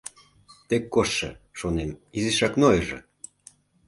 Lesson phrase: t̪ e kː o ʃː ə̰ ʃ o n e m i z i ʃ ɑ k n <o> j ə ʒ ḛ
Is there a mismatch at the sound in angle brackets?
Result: no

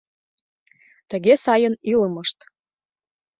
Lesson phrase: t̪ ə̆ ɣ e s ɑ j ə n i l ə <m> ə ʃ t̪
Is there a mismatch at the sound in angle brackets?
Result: no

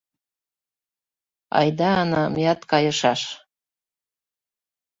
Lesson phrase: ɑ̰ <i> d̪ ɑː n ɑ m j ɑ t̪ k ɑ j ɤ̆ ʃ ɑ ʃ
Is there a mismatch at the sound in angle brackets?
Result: yes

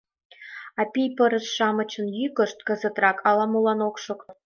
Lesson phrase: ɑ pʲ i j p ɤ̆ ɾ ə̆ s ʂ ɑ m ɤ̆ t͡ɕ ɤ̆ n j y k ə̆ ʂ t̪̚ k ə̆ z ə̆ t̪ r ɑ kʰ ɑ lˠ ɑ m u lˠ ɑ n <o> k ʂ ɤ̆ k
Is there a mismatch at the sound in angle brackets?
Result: no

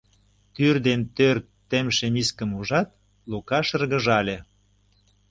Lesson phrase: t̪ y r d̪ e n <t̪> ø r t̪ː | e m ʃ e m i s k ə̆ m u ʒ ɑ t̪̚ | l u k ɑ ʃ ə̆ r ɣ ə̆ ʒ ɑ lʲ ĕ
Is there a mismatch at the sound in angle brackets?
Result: no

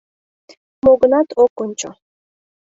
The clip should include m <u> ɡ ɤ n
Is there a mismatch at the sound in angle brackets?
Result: yes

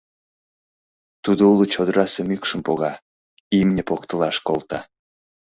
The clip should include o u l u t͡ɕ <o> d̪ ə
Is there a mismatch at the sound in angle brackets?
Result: no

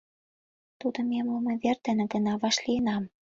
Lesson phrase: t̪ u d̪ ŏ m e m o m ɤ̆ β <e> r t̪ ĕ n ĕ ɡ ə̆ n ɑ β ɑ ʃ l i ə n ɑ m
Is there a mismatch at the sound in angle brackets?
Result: no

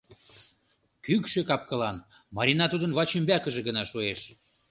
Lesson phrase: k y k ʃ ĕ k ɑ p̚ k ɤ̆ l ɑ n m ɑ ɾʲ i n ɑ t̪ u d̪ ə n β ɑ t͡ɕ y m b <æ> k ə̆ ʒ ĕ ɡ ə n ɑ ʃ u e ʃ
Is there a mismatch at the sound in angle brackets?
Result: no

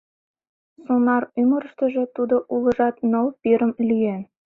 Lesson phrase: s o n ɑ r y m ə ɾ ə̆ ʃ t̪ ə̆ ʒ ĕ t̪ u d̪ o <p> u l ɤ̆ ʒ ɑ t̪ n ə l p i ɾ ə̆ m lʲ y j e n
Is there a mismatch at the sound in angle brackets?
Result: yes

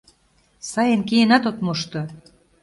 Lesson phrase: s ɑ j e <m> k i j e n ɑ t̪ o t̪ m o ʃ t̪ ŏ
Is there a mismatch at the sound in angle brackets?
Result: yes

